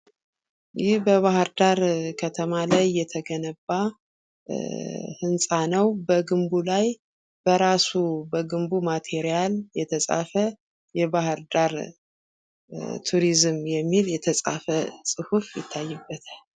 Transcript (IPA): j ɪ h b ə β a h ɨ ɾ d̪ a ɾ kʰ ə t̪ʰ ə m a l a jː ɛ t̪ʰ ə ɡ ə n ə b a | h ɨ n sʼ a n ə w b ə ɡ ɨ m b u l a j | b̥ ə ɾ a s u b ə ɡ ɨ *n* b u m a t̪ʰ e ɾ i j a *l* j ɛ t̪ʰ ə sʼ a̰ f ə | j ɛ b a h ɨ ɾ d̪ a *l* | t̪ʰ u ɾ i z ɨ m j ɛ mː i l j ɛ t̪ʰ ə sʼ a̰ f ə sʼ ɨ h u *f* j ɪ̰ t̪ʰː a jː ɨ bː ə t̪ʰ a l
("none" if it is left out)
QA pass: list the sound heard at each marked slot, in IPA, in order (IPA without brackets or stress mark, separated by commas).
m, l, ɾ, f